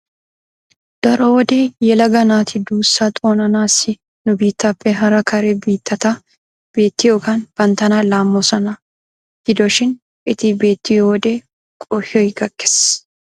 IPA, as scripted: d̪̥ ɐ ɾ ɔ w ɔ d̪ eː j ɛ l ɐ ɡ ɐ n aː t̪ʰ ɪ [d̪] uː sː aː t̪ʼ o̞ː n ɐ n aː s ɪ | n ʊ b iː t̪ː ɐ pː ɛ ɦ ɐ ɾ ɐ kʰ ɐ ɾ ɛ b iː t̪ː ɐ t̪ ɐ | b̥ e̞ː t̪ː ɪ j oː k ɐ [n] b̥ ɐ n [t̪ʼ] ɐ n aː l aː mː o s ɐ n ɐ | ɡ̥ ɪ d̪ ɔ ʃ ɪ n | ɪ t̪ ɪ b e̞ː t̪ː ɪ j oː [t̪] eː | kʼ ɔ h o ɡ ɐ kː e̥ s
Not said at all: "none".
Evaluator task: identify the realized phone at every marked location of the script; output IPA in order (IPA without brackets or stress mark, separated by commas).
d̪, n, t̪, d̪